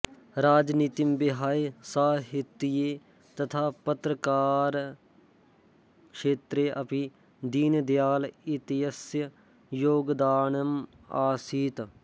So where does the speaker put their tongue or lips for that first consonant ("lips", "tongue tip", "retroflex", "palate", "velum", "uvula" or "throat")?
tongue tip